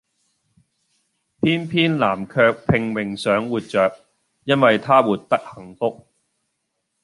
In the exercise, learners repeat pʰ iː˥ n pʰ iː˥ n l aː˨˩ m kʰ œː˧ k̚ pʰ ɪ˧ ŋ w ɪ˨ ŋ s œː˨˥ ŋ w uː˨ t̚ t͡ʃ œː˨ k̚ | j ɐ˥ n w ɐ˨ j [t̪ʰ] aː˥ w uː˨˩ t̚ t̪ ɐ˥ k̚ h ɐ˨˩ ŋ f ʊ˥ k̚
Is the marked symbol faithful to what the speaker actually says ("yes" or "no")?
yes